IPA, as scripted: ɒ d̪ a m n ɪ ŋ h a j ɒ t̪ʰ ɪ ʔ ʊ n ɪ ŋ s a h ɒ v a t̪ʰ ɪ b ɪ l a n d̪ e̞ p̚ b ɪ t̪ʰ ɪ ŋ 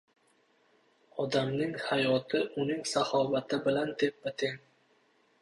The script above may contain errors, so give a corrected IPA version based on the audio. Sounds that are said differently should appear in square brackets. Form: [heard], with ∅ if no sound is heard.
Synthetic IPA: ɒ d̪ a m n ɪ ŋ h a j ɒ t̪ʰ ɪ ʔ ʊ n ɪ ŋ s a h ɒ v a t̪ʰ ɪ b ɪ l a n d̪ e̞ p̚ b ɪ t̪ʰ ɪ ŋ